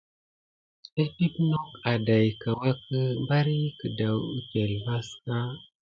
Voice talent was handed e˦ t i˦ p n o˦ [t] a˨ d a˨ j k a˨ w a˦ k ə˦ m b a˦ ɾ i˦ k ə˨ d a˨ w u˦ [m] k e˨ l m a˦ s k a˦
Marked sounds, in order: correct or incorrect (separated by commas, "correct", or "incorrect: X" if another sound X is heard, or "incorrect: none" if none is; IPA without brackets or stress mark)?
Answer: incorrect: k, incorrect: none